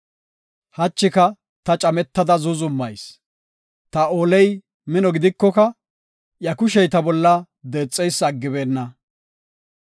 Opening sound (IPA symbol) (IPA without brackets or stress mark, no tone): h